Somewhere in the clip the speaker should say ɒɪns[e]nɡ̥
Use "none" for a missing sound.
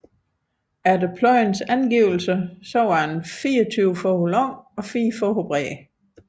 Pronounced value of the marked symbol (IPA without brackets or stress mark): æ